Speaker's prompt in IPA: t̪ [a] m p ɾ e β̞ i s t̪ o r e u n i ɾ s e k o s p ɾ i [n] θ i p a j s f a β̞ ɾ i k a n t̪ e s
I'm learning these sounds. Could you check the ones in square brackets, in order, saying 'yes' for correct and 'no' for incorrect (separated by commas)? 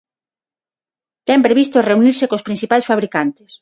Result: no, yes